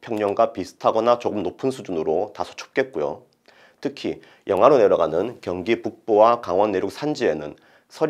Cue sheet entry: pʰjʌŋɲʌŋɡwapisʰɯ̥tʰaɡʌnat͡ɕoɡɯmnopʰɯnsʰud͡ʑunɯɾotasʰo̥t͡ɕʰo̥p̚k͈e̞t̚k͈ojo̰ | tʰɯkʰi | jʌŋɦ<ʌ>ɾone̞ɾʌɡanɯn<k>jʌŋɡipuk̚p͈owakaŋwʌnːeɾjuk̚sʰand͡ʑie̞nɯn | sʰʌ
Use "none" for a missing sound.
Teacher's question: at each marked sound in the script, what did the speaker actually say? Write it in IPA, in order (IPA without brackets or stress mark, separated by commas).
a, k